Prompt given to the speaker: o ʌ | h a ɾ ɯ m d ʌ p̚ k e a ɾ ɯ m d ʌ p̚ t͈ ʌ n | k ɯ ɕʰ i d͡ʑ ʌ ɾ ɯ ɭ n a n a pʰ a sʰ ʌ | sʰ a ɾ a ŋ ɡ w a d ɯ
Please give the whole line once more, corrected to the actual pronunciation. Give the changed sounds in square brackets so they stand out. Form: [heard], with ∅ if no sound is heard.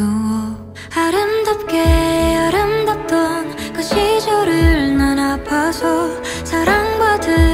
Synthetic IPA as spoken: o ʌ | h a ɾ ɯ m d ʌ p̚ k e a ɾ ɯ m d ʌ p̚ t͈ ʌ n | k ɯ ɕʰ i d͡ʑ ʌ ɾ ɯ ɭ n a n a pʰ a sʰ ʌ | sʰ a ɾ a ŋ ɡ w a d ɯ

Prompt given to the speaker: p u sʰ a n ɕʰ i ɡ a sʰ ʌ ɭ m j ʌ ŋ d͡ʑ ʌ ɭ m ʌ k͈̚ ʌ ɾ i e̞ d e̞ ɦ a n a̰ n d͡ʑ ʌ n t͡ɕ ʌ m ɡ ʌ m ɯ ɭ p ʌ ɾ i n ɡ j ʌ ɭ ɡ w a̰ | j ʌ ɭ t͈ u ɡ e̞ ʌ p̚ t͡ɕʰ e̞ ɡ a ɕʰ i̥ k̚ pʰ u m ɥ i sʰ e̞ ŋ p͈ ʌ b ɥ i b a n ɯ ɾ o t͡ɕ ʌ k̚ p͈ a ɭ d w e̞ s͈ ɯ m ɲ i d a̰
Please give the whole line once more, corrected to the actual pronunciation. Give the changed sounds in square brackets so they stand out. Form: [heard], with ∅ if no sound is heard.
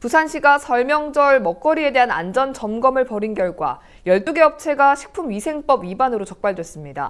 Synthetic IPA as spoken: p u sʰ a n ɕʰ i ɡ a sʰ ʌ ɭ m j ʌ ŋ d͡ʑ ʌ ɭ m ʌ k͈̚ ʌ ɾ i e̞ d e̞ ɦ a n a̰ n d͡ʑ ʌ n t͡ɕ ʌ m ɡ ʌ m ɯ ɭ p ʌ ɾ i n ɡ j ʌ ɭ ɡ w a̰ | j ʌ ɭ t͈ u ɡ e̞ ʌ p̚ t͡ɕʰ e̞ ɡ a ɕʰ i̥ k̚ pʰ u m ɥ i sʰ e̞ ŋ p͈ ʌ b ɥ i b a n ɯ ɾ o t͡ɕ ʌ k̚ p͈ a ɭ d w e̞ s͈ ɯ m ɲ i d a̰

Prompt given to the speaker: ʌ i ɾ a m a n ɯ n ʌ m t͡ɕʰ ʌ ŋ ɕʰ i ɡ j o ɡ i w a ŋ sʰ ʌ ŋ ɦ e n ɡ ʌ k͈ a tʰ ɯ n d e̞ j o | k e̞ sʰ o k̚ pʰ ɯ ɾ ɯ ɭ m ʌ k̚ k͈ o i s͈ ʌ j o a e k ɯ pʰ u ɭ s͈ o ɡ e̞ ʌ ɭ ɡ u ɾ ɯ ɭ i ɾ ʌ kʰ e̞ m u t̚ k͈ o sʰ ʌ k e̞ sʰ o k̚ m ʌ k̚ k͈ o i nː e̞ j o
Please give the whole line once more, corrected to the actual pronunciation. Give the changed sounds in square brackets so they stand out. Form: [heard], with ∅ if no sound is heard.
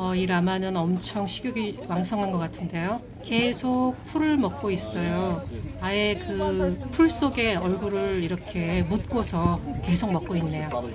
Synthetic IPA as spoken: ʌ i ɾ a m a n ɯ n ʌ m t͡ɕʰ ʌ ŋ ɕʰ i ɡ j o ɡ i w a ŋ sʰ ʌ ŋ ɦ [a] n ɡ ʌ k͈ a tʰ ɯ n d e̞ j o | k e̞ sʰ o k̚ pʰ [u] ɾ ɯ ɭ m ʌ k̚ k͈ o i s͈ ʌ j o a e k ɯ pʰ u ɭ s͈ o ɡ e̞ ʌ ɭ ɡ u ɾ ɯ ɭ i ɾ ʌ kʰ e̞ m u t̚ k͈ o sʰ ʌ k e̞ sʰ o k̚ m ʌ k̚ k͈ o i nː e̞ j o

